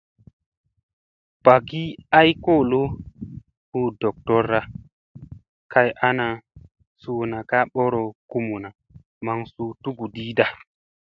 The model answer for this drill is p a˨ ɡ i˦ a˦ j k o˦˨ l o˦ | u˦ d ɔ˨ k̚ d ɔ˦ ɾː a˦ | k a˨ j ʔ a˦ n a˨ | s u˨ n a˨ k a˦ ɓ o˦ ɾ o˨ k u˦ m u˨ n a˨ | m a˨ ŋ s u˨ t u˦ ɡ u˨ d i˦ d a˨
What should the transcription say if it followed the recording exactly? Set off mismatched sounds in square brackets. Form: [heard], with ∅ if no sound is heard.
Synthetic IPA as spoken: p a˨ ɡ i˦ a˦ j k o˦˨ l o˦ | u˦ d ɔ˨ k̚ [t] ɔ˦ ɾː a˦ | k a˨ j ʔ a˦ n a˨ | s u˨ n a˨ k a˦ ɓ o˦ ɾ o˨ k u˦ m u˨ n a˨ | m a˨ ŋ s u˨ t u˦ ɡ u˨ d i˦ d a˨